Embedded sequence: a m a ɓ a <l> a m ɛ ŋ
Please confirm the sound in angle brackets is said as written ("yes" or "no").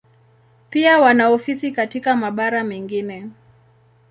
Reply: no